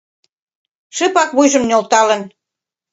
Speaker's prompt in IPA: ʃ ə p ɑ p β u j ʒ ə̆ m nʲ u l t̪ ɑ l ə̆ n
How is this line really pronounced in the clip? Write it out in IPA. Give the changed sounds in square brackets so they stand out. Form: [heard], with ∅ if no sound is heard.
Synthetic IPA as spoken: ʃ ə p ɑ [k] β u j ʒ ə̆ m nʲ [o] l t̪ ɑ l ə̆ n